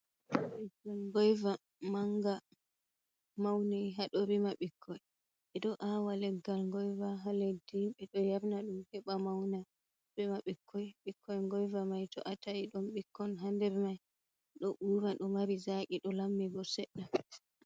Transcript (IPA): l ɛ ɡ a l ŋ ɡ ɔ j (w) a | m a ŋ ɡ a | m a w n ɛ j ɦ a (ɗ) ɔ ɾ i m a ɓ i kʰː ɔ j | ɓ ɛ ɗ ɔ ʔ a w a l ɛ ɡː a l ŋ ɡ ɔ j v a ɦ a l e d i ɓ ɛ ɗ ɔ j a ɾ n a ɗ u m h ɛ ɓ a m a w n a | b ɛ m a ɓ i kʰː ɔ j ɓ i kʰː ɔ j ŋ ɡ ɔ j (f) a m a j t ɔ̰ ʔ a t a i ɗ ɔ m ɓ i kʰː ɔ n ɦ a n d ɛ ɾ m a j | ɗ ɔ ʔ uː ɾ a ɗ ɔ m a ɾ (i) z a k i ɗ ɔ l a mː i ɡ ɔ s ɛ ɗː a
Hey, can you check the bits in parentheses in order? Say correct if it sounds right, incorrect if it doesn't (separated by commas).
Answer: incorrect, correct, incorrect, correct